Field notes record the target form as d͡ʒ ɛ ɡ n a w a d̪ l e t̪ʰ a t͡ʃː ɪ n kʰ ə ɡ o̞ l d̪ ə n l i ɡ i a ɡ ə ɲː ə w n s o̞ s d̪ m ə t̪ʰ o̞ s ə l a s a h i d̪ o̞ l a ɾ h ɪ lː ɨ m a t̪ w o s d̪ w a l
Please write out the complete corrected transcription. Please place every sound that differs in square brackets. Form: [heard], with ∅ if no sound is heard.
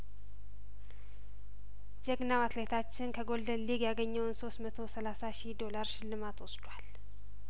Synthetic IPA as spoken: d͡ʒ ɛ ɡ n a w a [t̪] l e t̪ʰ a t͡ʃː ɪ n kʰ ə ɡ o̞ l d̪ ə n l i ɡ [j] a ɡ ə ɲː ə w n s o̞ s [t̪] m ə t̪ʰ o̞ s ə l a s a [ʃ] i d̪ o̞ l a ɾ [ʃ] ɪ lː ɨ m a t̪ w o s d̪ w a l